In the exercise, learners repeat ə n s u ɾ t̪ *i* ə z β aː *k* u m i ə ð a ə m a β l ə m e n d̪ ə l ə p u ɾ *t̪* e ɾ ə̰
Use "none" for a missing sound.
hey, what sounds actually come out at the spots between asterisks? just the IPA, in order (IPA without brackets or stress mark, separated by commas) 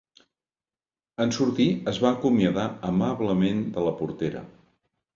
i, k, t̪